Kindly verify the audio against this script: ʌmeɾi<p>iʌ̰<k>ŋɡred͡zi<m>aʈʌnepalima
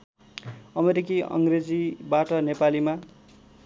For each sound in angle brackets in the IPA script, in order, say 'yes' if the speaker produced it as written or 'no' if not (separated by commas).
no, no, no